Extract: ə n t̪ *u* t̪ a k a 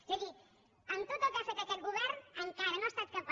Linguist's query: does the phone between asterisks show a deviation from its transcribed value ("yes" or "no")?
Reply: yes